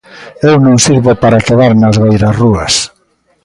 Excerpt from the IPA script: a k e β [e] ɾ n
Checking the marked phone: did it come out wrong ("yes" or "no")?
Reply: yes